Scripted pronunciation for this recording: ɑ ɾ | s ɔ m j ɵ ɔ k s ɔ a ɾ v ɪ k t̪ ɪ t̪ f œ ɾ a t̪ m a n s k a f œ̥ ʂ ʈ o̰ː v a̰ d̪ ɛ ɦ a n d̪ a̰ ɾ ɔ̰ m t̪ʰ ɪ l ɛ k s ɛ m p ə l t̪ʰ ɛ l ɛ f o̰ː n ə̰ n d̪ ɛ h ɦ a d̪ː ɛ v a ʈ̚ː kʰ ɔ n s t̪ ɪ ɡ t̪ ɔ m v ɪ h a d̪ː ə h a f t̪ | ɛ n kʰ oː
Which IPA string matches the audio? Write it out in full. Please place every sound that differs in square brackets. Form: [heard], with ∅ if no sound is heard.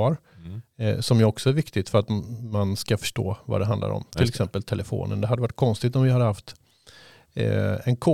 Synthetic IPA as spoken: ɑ ɾ | s ɔ m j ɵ ɔ k s ɔ [æ] ɾ v ɪ k t̪ ɪ t̪ f œ ɾ a t̪ m a n s k a f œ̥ ʂ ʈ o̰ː v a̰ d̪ ɛ ɦ a n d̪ a̰ ɾ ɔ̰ m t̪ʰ ɪ l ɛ k s ɛ m p ə l t̪ʰ ɛ l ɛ f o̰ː n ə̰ n d̪ ɛ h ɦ a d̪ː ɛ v a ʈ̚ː kʰ ɔ n s t̪ ɪ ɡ t̪ ɔ m v ɪ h a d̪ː ə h a f t̪ | ɛ n kʰ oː